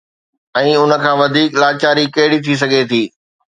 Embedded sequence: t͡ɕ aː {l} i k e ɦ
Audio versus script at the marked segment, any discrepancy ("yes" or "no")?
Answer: yes